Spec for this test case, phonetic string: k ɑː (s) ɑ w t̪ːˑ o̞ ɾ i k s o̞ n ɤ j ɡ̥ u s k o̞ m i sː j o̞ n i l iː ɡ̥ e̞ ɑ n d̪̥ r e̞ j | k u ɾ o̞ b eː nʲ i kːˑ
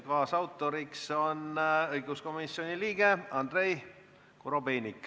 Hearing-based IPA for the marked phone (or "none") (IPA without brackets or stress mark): s